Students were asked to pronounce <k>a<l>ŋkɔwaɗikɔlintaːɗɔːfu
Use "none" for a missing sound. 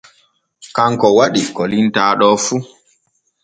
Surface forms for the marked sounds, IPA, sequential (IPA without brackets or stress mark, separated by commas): k, none